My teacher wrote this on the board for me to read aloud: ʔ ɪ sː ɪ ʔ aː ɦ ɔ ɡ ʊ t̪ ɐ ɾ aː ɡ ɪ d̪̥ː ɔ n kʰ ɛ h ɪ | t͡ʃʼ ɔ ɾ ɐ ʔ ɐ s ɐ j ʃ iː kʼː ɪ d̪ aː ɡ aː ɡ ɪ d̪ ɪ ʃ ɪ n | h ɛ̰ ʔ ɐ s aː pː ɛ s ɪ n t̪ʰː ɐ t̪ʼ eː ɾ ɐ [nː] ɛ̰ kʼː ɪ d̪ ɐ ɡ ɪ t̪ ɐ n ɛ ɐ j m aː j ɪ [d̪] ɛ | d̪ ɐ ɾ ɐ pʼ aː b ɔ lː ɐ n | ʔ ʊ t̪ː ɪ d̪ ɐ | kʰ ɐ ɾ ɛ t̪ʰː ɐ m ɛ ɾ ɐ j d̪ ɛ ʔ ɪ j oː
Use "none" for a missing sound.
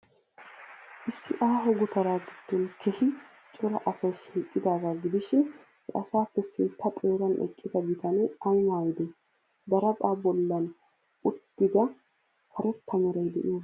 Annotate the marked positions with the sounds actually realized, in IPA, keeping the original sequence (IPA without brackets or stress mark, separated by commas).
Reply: n, d̪